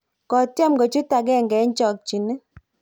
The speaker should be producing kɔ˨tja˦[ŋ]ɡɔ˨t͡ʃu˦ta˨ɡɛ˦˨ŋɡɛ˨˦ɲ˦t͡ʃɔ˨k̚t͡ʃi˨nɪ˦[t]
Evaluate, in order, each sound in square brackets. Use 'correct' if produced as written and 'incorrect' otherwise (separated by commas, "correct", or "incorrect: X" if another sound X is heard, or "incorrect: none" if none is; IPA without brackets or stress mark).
incorrect: m, incorrect: none